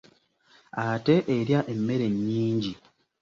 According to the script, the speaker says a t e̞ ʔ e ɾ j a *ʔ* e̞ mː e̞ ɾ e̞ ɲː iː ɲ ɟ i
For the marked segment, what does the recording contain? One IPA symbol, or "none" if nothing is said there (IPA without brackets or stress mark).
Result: ʔ